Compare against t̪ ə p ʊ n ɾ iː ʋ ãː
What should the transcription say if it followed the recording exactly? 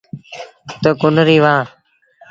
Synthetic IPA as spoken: t̪ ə k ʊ n ɾ iː ʋ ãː